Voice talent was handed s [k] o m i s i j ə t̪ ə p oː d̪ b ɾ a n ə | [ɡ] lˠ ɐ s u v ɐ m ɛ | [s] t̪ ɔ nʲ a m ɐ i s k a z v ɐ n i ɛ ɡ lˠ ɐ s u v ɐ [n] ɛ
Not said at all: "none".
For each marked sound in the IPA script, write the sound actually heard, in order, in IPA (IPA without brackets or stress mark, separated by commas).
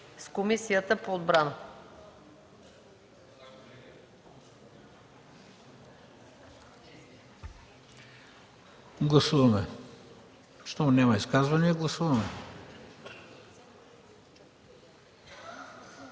k, ɡ, ʃ, m